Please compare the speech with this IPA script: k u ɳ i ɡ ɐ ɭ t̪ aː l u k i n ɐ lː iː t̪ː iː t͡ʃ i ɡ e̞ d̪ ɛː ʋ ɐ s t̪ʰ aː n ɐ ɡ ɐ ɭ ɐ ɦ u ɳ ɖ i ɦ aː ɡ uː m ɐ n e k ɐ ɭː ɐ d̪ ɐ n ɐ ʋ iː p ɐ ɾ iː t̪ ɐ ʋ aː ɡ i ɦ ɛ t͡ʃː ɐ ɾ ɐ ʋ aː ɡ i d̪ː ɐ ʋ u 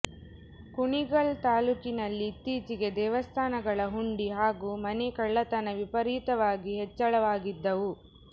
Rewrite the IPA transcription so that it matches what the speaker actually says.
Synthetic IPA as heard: k u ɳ i ɡ ɐ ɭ t̪ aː l u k i n ɐ lː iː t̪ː iː t͡ʃ i ɡ e̞ d̪ ɛː ʋ ɐ s t̪ʰ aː n ɐ ɡ ɐ ɭ ɐ ɦ u ɳ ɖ i ɦ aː ɡ uː m ɐ n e k ɐ ɭː ɐ t̪ ɐ n ɐ ʋ i p ɐ ɾ iː t̪ ɐ ʋ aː ɡ i ɦ ɛ t͡ʃː ɐ ɭ ɐ ʋ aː ɡ i d̪ː ɐ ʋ u